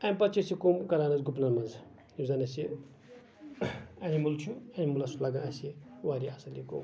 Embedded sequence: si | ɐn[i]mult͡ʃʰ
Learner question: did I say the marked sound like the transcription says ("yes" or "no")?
yes